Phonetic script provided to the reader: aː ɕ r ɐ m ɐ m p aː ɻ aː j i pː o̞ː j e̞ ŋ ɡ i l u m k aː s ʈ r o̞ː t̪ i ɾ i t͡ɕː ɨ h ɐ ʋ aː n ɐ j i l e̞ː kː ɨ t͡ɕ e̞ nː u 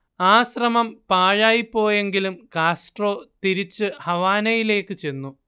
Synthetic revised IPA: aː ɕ r ɐ m ɐ m p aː ɻ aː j i pː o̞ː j e̞ ŋ ɡ i l u m k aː s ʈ r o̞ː t̪ i ɾ i t͡ɕː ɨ h ɐ ʋ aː n ɐ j i l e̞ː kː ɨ t͡ɕ e̞ nː u